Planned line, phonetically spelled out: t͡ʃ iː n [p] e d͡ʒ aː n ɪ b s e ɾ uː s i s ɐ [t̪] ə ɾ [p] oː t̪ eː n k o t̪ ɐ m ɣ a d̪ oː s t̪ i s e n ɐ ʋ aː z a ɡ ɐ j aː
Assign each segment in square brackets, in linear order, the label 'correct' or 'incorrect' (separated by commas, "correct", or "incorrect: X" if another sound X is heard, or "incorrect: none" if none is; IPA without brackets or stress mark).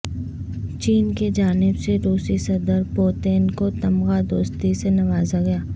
incorrect: k, incorrect: d̪, correct